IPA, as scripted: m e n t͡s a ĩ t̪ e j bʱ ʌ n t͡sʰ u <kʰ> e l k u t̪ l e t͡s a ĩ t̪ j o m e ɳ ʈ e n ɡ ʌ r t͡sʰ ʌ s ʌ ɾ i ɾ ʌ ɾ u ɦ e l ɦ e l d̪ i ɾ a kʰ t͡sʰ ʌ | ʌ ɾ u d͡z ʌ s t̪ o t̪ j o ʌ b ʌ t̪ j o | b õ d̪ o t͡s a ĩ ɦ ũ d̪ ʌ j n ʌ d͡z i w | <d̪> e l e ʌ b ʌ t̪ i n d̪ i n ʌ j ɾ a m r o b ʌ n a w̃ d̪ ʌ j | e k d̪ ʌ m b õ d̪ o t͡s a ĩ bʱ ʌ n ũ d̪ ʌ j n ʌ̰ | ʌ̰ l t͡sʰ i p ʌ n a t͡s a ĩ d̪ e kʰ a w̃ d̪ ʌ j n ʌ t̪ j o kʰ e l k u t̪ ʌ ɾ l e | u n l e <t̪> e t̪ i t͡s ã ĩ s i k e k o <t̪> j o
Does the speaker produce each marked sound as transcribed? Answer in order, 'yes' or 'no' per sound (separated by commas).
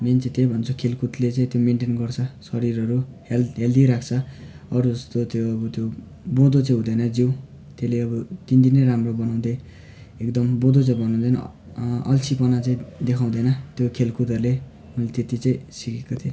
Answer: yes, no, yes, no